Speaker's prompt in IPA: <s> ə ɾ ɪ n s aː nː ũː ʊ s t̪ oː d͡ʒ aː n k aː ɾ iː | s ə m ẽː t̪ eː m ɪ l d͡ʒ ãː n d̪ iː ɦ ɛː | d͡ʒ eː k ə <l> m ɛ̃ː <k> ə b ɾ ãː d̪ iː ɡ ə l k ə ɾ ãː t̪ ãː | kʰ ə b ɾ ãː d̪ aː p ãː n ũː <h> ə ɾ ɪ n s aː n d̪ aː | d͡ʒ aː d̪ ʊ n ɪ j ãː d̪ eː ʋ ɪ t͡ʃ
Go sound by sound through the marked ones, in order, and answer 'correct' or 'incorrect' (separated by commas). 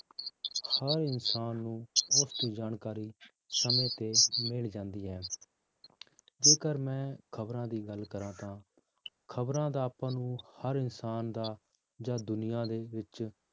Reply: incorrect, incorrect, incorrect, correct